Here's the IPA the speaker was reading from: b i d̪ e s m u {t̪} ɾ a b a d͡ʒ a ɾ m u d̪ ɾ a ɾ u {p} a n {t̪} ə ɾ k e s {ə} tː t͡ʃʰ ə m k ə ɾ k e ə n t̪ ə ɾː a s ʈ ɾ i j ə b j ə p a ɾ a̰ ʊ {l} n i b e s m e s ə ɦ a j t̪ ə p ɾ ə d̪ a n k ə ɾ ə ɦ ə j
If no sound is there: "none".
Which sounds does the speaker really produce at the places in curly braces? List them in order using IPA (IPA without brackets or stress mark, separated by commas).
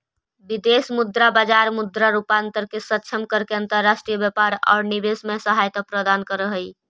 d̪, p, t̪, ə, ɾ